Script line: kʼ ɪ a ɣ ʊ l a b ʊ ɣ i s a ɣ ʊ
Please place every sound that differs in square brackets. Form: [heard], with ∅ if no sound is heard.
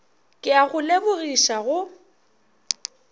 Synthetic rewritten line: kʼ ɪ a ɣ ʊ l [e] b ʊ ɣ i [ʃ] a ɣ ʊ